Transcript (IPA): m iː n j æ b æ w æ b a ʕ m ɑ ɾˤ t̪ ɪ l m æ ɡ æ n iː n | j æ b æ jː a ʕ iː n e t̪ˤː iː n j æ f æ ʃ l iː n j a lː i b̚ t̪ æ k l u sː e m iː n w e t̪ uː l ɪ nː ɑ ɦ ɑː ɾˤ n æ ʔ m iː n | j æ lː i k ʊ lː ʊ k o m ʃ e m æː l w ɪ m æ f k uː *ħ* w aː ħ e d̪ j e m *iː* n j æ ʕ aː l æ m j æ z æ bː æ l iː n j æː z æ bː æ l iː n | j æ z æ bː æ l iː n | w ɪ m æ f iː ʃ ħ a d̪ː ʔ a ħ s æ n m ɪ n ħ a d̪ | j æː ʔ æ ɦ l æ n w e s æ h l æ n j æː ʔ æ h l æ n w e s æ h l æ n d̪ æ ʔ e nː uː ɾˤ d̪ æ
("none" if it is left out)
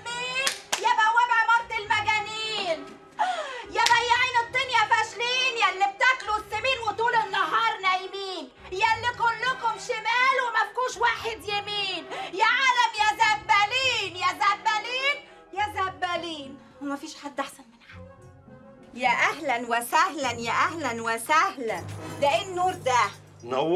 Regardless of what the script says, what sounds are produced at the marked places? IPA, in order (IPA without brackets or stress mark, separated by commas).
ʃ, iː